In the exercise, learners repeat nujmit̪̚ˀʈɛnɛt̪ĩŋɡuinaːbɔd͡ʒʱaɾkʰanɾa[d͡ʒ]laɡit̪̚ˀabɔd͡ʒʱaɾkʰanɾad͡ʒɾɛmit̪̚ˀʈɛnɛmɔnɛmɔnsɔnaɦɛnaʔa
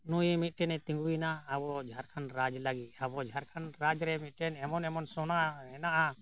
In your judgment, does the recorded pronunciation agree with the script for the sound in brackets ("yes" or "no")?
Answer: yes